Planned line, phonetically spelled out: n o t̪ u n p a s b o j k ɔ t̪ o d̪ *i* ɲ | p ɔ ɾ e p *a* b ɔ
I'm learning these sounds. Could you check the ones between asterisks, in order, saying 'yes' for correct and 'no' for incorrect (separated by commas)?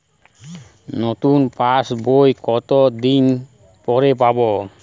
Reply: yes, yes